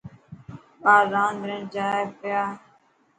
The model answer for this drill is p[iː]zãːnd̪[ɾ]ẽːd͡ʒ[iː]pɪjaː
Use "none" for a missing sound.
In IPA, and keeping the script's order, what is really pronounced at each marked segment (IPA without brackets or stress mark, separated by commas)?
aː, ɾ, aː